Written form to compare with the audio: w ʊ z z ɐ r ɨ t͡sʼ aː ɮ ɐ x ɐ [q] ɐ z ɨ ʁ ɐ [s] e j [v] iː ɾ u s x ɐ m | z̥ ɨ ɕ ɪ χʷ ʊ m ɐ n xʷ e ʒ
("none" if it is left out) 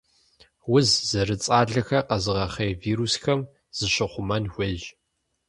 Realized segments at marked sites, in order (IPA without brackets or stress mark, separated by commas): q, χ, v